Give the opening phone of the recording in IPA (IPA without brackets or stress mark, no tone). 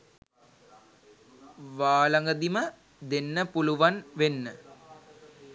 ʋ